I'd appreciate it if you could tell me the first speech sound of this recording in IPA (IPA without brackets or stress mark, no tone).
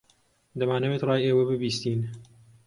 d̪